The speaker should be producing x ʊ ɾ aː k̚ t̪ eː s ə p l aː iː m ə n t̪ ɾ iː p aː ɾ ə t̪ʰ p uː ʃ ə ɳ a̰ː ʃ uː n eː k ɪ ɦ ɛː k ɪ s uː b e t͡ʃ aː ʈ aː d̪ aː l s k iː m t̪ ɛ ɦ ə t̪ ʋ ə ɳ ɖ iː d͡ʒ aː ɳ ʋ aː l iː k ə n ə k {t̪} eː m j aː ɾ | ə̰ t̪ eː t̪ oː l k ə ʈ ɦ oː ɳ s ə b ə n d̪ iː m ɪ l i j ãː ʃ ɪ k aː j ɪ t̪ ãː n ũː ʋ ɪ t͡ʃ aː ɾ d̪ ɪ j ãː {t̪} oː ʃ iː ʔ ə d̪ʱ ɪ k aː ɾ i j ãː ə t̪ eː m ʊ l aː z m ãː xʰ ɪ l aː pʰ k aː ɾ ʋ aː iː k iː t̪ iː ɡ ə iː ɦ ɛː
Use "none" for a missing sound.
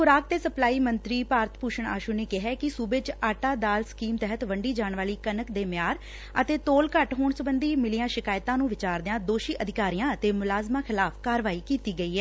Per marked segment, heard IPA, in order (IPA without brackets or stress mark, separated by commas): d̪, d̪